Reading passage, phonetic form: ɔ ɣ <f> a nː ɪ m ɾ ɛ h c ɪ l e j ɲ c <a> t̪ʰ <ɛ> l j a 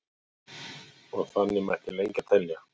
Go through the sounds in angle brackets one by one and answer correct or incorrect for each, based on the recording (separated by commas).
incorrect, correct, correct